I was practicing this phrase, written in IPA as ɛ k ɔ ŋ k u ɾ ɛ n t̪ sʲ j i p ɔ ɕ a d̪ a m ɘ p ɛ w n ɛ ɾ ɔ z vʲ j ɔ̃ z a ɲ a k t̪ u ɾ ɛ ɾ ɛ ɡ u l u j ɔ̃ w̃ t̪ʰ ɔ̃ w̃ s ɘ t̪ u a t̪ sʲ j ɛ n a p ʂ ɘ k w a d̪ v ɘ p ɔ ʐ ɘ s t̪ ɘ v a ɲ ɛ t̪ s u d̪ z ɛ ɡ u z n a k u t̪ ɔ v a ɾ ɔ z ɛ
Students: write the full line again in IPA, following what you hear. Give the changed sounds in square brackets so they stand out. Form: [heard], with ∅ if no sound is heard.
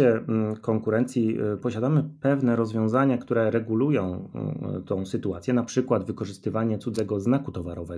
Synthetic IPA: ɛ k ɔ ŋ k u ɾ ɛ n t̪ sʲ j i p ɔ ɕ a d̪ a m ɘ p ɛ [v] n ɛ ɾ ɔ z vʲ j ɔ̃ z a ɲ a k t̪ u ɾ ɛ ɾ ɛ ɡ u l u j ɔ̃ w̃ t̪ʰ ɔ̃ w̃ s ɘ t̪ u a t̪ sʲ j ɛ n a p ʂ ɘ k w a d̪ v ɘ [k] ɔ ʐ ɘ s t̪ ɘ v a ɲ ɛ t̪ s u d̪ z ɛ ɡ [ɔ] z n a k u t̪ ɔ v a ɾ ɔ [v] ɛ